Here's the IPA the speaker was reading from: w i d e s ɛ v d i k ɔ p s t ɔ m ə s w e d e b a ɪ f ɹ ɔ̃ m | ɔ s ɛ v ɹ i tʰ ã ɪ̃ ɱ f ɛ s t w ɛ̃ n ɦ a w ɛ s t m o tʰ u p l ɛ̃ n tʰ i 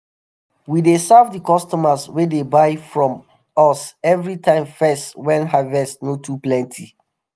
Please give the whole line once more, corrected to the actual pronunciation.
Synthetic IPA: w i d e s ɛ v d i k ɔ s t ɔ m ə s w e d e b a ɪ f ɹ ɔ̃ m | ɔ s ɛ v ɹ i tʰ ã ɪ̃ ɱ f ɛ s t w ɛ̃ n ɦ a v ɛ s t n o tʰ u p l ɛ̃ n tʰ i